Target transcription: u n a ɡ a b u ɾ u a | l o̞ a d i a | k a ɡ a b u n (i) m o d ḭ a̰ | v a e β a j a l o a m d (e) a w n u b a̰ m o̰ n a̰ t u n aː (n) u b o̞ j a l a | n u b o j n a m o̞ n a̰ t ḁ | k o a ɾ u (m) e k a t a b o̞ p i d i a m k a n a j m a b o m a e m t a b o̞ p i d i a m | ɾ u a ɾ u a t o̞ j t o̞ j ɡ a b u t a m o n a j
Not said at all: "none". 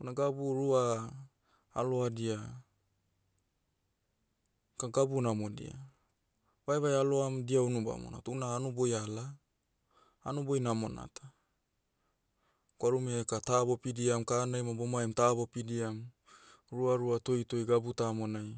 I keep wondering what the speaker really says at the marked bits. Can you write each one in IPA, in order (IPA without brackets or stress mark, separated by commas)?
a, i, n, m